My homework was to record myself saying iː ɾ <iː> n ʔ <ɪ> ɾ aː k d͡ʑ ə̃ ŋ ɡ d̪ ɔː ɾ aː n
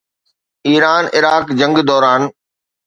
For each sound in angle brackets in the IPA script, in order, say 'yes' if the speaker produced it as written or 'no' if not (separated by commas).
no, yes